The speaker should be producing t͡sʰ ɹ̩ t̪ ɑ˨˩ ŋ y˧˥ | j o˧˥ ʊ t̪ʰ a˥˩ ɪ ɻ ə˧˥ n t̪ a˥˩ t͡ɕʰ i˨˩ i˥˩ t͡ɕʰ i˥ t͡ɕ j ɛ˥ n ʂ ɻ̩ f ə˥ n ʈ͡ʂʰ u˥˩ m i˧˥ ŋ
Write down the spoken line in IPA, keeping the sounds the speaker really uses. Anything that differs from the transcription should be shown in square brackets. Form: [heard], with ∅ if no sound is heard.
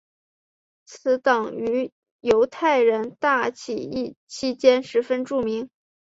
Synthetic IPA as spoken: t͡sʰ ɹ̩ t̪ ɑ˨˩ ŋ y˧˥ | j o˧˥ ʊ t̪ʰ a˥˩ ɪ ɻ ə˧˥ n t̪ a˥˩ t͡ɕʰ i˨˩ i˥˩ t͡ɕʰ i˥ t͡ɕ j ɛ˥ n ʂ ɻ̩ f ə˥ n [ʈ͡ʂ] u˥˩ m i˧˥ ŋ